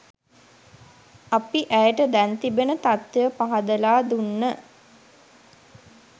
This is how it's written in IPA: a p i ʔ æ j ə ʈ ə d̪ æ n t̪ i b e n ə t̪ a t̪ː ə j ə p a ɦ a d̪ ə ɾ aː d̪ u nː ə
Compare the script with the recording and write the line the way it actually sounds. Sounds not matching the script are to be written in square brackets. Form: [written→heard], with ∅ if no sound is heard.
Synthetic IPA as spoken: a p i ʔ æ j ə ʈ ə d̪ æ n t̪ i b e n ə t̪ a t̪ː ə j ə p a ɦ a d̪ ə [ɾ→l] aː d̪ u nː ə